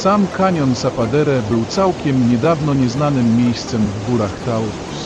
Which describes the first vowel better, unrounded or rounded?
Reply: unrounded